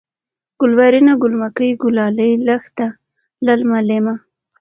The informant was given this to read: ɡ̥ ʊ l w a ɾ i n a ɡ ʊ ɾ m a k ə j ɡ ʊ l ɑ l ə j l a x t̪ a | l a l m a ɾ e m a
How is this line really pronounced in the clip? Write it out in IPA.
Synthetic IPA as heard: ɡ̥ ʊ l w a ɾ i n a ɡ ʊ l m a k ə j ɡ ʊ l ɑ l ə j l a x t̪ a | l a l m a l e m a